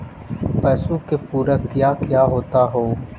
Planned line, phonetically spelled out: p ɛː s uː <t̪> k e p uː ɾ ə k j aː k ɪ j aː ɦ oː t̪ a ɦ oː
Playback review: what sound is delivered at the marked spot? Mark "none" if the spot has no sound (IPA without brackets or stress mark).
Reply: none